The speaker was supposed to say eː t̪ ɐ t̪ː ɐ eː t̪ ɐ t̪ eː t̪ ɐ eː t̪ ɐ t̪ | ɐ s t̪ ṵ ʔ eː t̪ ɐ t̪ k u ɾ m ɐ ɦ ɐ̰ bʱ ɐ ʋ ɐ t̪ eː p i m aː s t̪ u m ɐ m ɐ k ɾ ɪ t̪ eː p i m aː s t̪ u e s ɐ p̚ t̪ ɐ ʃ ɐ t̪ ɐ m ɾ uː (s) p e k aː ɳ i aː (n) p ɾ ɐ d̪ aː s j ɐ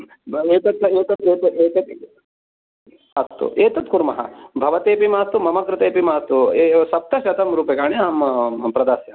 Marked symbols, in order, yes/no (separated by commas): no, no